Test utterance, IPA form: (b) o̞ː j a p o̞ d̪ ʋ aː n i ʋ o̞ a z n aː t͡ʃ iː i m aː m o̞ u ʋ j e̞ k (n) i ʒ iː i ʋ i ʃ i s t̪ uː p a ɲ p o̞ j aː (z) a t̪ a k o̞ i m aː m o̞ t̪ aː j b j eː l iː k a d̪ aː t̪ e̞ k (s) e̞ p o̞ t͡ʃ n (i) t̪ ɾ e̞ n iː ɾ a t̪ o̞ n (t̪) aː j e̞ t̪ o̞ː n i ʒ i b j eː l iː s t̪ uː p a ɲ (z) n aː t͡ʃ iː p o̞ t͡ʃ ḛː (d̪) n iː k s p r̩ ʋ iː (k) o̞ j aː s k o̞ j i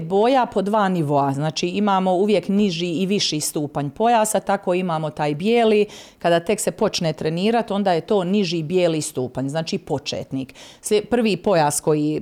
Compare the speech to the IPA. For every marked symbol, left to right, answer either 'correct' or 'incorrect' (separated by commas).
correct, correct, incorrect, correct, incorrect, incorrect, correct, incorrect, incorrect